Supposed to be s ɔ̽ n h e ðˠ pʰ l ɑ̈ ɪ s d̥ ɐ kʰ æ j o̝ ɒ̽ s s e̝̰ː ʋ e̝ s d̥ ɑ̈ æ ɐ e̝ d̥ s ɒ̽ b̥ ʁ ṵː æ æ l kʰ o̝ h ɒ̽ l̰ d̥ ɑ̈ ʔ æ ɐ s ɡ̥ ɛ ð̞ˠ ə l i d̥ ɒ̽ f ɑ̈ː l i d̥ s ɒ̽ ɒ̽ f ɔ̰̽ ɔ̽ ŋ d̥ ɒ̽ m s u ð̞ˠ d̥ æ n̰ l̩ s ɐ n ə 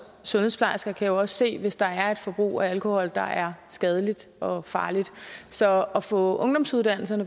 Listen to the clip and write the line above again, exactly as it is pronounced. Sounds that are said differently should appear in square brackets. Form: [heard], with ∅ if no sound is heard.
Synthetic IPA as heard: s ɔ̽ n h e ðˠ pʰ l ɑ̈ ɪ s [ɡ̥] ɐ kʰ æ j o̝ ɒ̽ s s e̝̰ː ʋ e̝ s d̥ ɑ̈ æ ɐ e̝ d̥ [f] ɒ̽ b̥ ʁ ṵː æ æ l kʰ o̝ h ɒ̽ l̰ d̥ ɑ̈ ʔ æ ɐ s ɡ̥ ɛ ð̞ˠ ə l i d̥ ɒ̽ f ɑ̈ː l i d̥ s ɒ̽ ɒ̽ f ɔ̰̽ ɔ̽ ŋ d̥ ɒ̽ m s u ð̞ˠ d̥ æ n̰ l̩ s ɐ n ə